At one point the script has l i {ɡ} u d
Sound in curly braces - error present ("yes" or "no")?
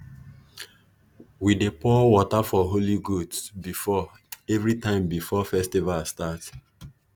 no